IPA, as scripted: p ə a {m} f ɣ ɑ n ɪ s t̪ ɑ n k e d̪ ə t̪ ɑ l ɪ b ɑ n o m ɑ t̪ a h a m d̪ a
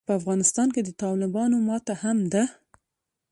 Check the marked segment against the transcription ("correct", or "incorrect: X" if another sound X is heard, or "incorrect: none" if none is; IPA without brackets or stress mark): incorrect: none